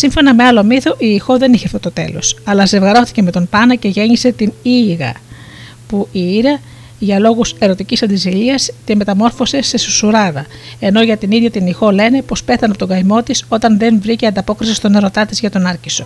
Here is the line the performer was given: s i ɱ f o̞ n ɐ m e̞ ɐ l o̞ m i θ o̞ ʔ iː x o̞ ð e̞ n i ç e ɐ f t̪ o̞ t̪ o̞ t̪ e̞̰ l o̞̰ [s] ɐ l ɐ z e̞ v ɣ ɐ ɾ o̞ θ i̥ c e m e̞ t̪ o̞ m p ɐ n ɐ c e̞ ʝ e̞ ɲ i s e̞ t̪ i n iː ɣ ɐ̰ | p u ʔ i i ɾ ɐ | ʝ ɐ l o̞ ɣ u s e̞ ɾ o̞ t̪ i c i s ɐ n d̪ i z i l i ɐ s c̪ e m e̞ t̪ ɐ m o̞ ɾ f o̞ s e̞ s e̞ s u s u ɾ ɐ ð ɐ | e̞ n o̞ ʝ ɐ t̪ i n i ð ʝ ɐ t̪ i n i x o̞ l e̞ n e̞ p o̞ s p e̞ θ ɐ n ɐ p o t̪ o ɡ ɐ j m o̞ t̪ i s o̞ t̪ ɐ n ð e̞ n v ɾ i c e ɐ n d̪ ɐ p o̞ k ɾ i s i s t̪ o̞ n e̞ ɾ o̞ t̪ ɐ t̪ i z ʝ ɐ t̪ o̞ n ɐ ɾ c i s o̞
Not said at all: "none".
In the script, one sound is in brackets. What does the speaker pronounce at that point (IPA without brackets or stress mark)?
s